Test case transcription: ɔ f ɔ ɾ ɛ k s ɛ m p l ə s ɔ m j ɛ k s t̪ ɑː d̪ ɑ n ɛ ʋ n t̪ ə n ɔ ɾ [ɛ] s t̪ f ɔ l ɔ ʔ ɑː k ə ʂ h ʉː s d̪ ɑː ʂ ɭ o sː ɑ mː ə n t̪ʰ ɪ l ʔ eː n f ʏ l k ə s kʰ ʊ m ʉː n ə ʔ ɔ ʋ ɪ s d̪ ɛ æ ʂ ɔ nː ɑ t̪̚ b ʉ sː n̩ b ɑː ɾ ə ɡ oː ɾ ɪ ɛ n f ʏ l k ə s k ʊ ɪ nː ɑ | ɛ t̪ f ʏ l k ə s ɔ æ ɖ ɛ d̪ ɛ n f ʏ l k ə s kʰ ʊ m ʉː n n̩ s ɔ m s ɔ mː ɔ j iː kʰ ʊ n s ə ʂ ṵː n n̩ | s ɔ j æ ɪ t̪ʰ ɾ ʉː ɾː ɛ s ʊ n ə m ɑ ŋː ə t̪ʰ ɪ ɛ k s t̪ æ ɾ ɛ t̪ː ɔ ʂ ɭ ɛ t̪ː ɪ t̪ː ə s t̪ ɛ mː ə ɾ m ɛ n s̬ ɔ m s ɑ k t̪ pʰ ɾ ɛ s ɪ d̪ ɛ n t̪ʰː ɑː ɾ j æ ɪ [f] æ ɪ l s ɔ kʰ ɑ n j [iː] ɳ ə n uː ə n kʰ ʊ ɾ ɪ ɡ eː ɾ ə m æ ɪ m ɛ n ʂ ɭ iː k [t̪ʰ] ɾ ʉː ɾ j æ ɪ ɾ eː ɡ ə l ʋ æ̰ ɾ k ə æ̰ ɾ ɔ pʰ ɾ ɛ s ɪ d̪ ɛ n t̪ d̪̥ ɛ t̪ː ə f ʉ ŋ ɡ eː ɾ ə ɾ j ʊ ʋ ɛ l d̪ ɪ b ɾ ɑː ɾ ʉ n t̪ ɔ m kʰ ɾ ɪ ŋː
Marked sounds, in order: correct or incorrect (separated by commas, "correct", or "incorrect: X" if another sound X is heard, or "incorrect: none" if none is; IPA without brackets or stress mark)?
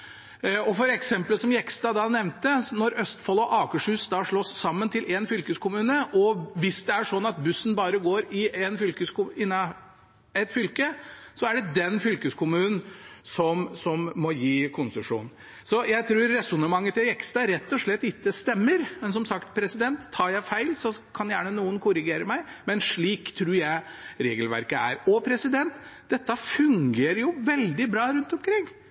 incorrect: œ, correct, incorrect: æː, correct